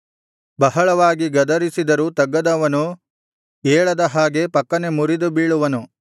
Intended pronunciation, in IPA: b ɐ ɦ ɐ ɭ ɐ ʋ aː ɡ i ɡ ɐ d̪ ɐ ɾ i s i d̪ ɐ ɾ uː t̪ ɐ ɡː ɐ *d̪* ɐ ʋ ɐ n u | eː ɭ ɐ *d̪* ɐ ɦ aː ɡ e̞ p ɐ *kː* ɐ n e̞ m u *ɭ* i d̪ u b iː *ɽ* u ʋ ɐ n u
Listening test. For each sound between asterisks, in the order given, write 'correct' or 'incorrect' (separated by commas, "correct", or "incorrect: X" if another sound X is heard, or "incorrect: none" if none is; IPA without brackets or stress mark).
correct, correct, correct, incorrect: ɾ, incorrect: ɭ